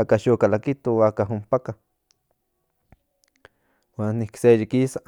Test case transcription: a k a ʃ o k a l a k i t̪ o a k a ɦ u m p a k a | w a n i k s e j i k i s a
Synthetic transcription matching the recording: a k a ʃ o k a l a k i t̪ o a k a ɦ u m p a k a | w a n i k s e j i k i s a